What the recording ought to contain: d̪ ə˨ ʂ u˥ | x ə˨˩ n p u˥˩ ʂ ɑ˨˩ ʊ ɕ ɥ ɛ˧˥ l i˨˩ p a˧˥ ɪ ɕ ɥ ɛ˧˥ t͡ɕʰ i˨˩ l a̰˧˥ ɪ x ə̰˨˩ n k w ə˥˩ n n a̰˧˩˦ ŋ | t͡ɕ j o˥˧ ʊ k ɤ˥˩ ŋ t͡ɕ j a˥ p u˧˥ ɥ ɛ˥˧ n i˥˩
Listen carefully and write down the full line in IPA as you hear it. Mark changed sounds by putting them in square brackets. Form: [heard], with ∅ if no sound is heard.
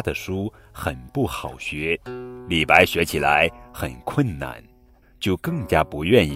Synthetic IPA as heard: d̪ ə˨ ʂ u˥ | x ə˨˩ n p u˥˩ [x] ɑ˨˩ ʊ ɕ ɥ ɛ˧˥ l i˨˩ p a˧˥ ɪ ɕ ɥ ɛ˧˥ t͡ɕʰ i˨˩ l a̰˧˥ ɪ x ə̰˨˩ n [kʰ] w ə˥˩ n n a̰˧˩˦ [n] | t͡ɕ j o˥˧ ʊ k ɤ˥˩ ŋ t͡ɕ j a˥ p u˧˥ ɥ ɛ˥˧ n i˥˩